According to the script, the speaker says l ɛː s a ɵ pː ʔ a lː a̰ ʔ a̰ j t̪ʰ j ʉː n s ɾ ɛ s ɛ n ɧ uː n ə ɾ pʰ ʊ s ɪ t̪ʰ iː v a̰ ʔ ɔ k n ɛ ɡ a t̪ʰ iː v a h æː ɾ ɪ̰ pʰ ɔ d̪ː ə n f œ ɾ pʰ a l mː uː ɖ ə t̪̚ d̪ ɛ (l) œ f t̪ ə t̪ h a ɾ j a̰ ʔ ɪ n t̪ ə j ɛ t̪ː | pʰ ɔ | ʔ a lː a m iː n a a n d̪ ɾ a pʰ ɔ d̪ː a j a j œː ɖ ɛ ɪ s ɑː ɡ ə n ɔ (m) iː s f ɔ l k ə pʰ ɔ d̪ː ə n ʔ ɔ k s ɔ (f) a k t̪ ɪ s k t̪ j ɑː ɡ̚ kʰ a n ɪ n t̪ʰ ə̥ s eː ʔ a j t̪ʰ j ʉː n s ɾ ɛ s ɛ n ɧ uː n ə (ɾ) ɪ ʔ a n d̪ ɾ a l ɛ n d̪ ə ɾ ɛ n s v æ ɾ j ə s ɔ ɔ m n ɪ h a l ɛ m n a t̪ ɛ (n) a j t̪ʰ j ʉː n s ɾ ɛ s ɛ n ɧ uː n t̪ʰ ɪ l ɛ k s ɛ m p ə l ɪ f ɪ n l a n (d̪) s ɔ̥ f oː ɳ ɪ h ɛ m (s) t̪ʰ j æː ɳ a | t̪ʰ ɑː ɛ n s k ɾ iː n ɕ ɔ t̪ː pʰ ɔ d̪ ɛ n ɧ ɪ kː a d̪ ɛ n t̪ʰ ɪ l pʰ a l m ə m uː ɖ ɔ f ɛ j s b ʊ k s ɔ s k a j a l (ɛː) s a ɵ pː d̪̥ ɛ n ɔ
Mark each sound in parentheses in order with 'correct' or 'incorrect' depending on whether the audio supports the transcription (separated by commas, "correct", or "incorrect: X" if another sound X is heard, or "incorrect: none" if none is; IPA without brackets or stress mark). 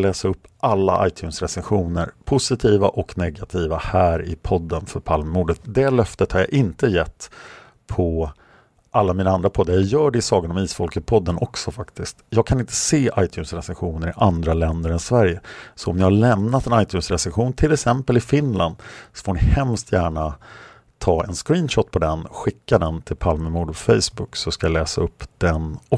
correct, correct, correct, correct, correct, correct, correct, correct